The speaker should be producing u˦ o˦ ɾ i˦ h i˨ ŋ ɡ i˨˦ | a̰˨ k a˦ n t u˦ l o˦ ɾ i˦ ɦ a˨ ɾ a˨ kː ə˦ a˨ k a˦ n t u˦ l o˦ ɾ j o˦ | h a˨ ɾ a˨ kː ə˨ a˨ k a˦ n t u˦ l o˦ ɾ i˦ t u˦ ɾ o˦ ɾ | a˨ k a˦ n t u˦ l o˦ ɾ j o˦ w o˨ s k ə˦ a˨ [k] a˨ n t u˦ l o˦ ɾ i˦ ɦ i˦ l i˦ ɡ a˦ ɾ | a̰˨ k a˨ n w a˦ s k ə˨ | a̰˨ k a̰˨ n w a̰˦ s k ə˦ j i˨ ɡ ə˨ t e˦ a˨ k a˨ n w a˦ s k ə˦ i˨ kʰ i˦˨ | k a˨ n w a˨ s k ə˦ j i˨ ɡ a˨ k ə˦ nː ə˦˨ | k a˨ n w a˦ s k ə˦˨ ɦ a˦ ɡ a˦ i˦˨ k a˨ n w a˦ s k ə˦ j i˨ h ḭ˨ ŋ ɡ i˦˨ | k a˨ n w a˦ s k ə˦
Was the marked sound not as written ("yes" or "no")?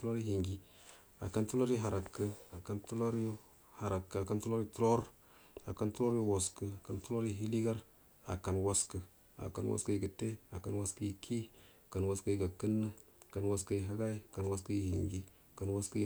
no